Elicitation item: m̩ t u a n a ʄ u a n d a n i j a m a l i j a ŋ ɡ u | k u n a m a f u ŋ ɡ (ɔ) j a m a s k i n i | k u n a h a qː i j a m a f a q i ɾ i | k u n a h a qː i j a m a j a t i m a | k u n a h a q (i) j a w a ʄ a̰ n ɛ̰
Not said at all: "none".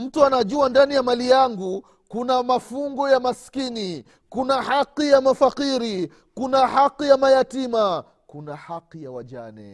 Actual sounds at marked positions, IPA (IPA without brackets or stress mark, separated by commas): ɔ, i